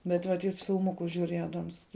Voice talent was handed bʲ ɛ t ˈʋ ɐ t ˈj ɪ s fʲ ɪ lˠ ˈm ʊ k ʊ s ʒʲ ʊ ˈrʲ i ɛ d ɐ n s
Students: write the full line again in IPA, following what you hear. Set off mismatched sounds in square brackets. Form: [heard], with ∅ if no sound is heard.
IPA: bʲ ɛ t ˈʋ ɐ t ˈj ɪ s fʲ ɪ lˠ ˈm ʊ k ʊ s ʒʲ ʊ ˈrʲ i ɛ d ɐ [m] s